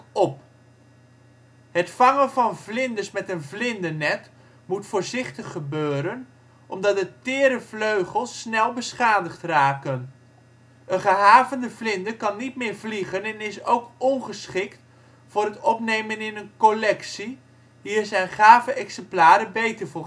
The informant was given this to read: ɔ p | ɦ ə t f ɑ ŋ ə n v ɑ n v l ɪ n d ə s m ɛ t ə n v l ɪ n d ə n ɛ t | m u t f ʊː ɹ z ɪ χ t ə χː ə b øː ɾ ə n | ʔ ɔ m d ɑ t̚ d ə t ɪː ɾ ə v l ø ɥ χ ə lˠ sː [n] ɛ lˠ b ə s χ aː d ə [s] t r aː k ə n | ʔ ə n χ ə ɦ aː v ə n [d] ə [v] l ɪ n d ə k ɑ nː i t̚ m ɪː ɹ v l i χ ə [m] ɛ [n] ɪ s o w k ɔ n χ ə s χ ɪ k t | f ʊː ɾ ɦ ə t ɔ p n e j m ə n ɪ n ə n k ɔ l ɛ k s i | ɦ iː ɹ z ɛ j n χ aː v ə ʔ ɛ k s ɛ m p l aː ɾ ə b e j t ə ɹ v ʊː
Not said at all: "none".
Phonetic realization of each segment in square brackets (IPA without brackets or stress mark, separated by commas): n, χ, d, v, n, n